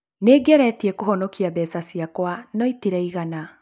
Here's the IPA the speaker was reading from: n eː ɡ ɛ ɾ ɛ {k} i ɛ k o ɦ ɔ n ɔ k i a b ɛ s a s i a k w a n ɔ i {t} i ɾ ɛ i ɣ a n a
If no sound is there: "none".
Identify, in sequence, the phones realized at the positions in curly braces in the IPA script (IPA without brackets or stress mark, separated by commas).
t, t